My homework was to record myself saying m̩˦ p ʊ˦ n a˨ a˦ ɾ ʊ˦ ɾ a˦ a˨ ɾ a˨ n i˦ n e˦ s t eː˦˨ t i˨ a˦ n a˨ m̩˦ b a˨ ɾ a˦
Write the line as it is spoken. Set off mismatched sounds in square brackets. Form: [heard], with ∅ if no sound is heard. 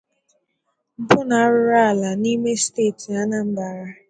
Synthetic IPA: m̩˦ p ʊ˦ n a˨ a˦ ɾ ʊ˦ ɾ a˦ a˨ [l] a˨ n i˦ [m] e˦ s t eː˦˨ t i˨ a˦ n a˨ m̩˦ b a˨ ɾ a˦